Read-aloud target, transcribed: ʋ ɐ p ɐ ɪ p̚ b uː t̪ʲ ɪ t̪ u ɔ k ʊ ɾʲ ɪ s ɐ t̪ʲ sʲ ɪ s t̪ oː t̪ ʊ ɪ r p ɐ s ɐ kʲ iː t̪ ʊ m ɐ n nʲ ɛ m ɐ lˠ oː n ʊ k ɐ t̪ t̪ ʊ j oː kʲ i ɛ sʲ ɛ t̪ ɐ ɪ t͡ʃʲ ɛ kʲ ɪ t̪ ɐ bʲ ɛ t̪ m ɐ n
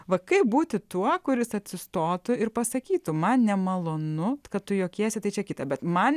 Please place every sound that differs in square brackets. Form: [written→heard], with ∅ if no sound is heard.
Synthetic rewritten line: ʋ ɐ [p→k] ɐ ɪ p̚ b uː t̪ʲ ɪ t̪ u ɔ k ʊ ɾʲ ɪ s ɐ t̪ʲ sʲ ɪ s t̪ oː t̪ ʊ ɪ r p ɐ s ɐ kʲ iː t̪ ʊ m ɐ n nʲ ɛ m ɐ lˠ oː n ʊ k ɐ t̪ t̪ ʊ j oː kʲ i ɛ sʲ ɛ t̪ ɐ ɪ t͡ʃʲ ɛ kʲ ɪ t̪ ɐ bʲ ɛ t̪ m ɐ n